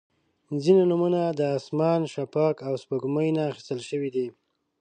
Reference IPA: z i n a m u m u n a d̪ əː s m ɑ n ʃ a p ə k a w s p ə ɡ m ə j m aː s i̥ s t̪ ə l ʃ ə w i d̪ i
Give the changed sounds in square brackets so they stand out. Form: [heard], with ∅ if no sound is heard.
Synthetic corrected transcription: z i n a [n] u m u n a d̪ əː s m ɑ n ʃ a p [ɑ] k a w s p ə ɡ m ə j [n] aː [x] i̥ s t̪ ə l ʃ ə w i d̪ i